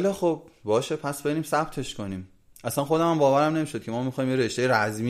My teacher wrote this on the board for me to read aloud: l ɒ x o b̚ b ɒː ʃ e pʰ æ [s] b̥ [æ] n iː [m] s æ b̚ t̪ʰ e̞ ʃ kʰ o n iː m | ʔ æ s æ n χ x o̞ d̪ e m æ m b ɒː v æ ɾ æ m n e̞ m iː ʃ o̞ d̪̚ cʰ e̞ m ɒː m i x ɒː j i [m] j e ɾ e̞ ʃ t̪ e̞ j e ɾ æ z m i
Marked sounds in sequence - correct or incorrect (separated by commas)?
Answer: correct, incorrect, correct, correct